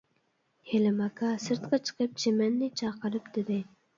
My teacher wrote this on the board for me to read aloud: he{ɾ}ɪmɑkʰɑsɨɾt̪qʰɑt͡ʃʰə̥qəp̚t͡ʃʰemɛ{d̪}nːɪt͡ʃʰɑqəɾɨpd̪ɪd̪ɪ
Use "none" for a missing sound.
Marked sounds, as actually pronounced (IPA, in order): l, none

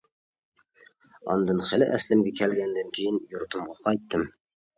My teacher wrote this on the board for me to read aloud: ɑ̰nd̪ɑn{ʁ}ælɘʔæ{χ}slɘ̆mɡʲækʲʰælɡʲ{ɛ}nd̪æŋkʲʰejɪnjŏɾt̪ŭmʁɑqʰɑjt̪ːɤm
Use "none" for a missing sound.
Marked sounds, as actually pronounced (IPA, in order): χ, none, æ

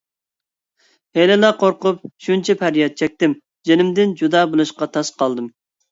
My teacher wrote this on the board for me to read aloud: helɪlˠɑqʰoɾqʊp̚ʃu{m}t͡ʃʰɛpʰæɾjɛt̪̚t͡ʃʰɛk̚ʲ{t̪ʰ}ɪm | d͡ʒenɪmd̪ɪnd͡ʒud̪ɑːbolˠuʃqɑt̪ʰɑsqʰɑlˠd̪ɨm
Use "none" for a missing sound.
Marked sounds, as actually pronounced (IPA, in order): n, t̪

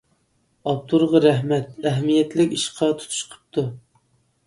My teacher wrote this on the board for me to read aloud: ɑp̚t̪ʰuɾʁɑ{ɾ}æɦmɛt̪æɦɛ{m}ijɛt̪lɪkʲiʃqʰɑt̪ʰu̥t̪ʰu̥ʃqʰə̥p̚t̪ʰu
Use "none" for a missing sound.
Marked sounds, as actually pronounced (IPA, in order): ɾ, m

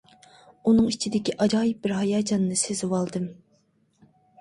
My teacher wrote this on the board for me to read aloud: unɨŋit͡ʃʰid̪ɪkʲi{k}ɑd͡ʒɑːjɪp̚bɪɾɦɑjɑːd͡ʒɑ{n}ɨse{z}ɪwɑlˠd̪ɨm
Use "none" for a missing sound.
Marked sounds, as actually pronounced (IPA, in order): ʔ, nː, z

